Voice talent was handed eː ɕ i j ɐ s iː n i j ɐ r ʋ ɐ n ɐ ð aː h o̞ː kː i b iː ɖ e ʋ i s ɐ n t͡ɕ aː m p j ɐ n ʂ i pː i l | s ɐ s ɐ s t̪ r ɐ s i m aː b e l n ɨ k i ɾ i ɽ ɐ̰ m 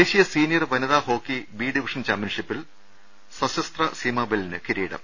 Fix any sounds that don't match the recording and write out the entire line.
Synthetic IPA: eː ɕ i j ɐ s iː n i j ɐ r ʋ ɐ n ɐ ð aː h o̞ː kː i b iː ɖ i ʋ i ʂ ɐ n t͡ɕ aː m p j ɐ n ʂ i pː i l | s ɐ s ɐ s t̪ r ɐ s i m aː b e l n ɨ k i ɾ iː ɽ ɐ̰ m

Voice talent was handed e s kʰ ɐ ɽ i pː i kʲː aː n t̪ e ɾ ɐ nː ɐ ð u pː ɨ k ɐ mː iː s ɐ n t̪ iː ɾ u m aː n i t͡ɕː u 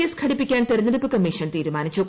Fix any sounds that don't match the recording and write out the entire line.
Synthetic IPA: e s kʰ ɐ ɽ i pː i kʲː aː n t̪ e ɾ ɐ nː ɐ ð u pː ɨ k ɐ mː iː ʂ ɐ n t̪ iː ɾ u m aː n i t͡ɕː u

